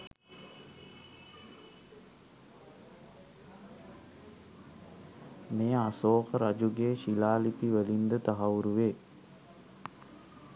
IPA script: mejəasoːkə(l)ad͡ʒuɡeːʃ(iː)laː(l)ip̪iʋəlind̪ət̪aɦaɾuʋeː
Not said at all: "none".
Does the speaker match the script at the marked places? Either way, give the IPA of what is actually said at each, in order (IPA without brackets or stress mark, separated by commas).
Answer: ɾ, i, l